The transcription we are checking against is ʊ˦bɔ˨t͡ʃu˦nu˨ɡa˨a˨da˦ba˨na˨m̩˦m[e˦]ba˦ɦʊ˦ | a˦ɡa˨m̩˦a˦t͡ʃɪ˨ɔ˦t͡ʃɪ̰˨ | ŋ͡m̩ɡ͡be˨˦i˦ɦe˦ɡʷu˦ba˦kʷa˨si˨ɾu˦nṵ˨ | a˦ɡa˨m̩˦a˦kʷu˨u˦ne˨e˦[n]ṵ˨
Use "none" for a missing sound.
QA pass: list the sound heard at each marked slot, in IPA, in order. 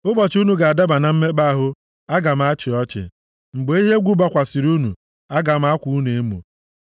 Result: e˦, m

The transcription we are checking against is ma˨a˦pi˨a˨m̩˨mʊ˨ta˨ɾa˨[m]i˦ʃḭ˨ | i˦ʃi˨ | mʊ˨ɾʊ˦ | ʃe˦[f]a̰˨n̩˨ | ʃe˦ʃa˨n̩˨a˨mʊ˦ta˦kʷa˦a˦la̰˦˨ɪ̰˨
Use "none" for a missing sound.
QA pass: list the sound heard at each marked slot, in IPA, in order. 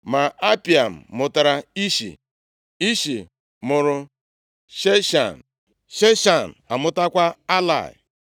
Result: none, ʃ

